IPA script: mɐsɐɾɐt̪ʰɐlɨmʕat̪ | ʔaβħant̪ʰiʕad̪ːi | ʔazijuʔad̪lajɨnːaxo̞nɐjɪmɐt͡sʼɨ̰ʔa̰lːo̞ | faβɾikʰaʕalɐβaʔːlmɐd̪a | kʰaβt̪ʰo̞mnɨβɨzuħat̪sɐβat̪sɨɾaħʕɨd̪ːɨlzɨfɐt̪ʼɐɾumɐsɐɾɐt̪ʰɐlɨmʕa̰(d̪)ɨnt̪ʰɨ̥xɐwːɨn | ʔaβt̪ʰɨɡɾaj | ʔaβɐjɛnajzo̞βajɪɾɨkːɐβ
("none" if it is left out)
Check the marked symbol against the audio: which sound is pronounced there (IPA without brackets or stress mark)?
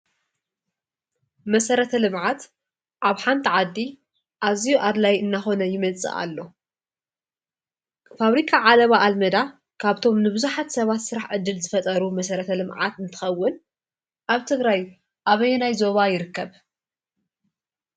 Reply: t̪